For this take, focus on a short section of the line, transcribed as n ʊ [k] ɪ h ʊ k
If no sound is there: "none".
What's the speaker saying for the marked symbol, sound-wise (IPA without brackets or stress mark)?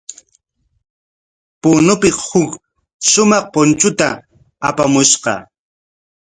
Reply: p